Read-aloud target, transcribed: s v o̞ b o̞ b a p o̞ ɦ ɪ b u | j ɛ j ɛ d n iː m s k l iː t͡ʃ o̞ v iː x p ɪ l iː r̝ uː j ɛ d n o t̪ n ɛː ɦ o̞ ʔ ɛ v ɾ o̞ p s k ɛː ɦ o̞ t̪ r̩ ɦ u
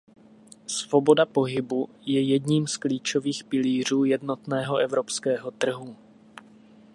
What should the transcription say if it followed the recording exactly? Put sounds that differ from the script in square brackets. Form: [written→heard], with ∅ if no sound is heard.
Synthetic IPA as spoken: s v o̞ b o̞ [b→d] a p o̞ ɦ ɪ b u | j ɛ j ɛ d [n→ɲ] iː m s k l iː t͡ʃ o̞ v iː x p ɪ l iː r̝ uː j ɛ d n o t̪ n ɛː ɦ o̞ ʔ ɛ v ɾ o̞ p s k ɛː ɦ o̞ t̪ r̩ ɦ u